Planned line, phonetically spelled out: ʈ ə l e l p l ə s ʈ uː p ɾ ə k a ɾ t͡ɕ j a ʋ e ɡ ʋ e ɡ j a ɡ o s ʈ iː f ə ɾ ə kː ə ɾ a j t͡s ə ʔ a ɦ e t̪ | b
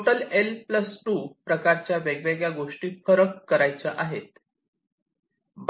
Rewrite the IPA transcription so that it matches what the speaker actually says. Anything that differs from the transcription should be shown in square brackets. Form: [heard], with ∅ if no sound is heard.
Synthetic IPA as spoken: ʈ ə l e l p l ə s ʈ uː p ɾ ə k a ɾ t͡ɕ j a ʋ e ɡ ʋ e ɡ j a ɡ o [ʂ] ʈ iː f ə ɾ ə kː ə ɾ a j t͡s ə ʔ a ɦ e t̪ | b